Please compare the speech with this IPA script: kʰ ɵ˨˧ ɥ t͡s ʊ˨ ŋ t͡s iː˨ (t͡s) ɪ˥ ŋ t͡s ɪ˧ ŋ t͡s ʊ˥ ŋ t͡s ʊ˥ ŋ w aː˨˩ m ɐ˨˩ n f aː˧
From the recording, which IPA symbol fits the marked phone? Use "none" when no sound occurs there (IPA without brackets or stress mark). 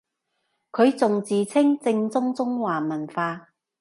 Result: t͡sʰ